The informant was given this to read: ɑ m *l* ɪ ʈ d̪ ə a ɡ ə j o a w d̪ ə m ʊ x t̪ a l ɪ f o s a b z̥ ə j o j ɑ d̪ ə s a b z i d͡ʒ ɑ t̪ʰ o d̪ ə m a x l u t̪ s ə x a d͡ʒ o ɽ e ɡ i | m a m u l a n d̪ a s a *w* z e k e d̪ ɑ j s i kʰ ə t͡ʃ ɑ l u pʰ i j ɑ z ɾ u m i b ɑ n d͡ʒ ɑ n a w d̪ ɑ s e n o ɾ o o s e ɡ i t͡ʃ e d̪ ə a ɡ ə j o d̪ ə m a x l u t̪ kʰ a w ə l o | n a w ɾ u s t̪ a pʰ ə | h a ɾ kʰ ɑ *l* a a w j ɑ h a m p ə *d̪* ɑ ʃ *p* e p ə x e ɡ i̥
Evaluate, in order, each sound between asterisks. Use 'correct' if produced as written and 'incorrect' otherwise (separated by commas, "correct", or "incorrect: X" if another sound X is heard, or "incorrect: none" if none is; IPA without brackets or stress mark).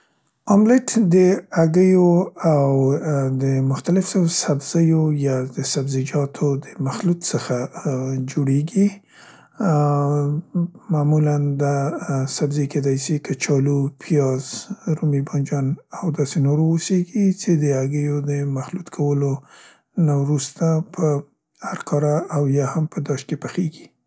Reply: correct, incorrect: b, incorrect: ɾ, correct, incorrect: k